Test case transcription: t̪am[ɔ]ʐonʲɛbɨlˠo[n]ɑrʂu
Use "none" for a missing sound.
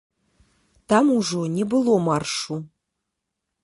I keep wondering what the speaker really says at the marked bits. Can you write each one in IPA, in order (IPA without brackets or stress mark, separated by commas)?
u, m